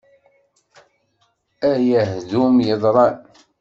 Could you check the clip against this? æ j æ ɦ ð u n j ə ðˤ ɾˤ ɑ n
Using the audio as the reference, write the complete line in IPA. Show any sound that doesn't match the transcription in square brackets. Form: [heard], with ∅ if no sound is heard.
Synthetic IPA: æ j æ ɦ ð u [m] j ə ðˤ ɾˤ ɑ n